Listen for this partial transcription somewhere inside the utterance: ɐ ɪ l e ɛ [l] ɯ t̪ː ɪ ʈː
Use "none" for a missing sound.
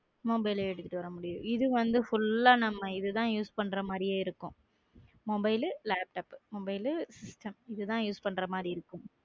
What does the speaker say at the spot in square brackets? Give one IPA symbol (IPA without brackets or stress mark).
ɽ